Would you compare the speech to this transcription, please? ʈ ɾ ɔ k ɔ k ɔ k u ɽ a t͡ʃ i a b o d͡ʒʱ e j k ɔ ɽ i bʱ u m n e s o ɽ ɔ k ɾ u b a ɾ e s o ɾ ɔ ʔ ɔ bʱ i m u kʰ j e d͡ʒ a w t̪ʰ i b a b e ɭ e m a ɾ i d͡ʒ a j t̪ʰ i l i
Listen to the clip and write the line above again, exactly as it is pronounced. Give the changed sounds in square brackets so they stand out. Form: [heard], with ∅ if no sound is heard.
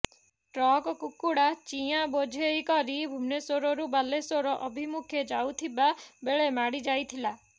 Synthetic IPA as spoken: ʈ ɾ ɔ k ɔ k [u] k u ɽ a t͡ʃ i a b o d͡ʒʱ e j k ɔ [ɾ] i bʱ u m n e s o [ɾ] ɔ [∅] ɾ u b a [l] e s o ɾ ɔ ʔ ɔ bʱ i m u kʰ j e d͡ʒ a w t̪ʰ i b a b e ɭ e m a [ɽ] i d͡ʒ a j t̪ʰ i l [a]